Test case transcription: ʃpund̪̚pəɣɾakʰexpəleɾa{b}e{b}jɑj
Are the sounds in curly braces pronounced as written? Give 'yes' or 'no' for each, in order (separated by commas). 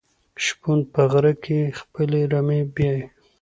no, yes